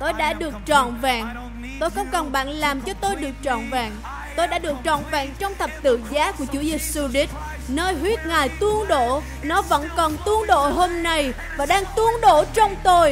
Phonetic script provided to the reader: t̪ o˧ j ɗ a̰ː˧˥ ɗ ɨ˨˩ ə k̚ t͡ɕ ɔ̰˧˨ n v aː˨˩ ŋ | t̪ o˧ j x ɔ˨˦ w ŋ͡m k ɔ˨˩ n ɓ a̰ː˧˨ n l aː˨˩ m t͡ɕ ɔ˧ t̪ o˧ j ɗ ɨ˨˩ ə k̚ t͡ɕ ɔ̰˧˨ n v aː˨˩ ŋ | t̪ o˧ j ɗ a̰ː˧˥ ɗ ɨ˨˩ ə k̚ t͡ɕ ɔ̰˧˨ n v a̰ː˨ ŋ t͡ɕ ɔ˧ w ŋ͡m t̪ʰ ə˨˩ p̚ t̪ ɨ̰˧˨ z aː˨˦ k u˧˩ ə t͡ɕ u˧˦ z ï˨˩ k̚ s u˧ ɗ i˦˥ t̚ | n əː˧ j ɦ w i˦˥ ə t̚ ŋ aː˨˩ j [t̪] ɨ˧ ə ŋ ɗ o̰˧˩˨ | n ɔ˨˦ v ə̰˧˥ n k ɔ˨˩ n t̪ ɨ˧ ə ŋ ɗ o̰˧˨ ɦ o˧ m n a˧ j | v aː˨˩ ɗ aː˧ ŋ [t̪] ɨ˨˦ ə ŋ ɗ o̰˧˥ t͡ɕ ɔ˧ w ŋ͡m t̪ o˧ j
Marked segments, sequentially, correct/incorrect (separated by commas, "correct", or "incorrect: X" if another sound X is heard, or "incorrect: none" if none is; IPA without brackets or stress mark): correct, correct